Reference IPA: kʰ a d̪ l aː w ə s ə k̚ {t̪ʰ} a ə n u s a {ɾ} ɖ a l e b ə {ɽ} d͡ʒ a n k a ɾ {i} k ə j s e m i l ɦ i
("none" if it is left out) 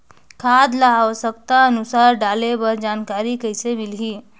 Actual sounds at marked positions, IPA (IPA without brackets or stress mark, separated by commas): t̪, ɾ, ɾ, i